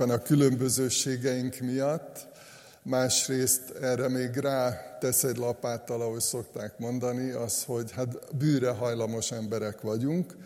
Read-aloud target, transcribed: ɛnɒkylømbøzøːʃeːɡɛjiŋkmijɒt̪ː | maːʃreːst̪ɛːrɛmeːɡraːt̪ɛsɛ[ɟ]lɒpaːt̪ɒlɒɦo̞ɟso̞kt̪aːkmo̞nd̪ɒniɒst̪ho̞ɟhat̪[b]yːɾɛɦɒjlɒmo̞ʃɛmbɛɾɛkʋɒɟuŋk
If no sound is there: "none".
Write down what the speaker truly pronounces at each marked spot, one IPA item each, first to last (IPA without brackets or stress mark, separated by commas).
ɟ, b